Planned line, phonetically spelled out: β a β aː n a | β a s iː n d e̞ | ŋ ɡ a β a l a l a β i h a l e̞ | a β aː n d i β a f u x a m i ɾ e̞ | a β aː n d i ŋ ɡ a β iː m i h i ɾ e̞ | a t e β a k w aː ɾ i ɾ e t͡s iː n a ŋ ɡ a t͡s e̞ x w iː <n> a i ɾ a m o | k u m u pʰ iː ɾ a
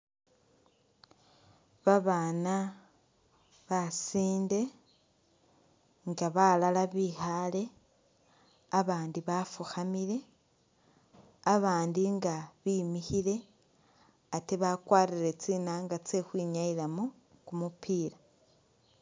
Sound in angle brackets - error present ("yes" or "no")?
yes